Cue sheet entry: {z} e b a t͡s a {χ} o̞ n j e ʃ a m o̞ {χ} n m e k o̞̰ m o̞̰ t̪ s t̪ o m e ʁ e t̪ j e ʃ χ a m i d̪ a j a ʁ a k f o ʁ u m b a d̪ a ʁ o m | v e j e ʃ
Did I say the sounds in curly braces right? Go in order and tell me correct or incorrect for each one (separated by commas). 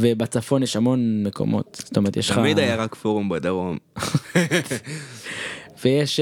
incorrect, incorrect, incorrect